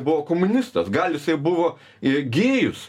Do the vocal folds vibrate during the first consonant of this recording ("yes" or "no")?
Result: yes